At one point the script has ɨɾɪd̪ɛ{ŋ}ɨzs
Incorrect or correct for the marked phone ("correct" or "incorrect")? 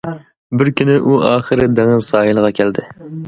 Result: correct